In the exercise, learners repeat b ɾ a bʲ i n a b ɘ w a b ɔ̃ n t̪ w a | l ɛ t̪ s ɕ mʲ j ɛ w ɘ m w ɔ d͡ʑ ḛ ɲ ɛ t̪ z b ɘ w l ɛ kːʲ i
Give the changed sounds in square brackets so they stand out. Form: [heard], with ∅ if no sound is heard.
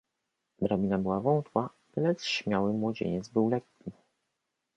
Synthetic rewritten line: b ɾ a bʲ i n a b ɘ w a [v] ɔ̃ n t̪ w a | l ɛ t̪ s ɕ mʲ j [a] w ɘ m w ɔ d͡ʑ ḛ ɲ ɛ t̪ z b ɘ w l ɛ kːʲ i